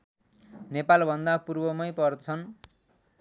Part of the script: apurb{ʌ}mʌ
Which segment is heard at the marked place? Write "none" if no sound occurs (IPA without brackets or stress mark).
ʌ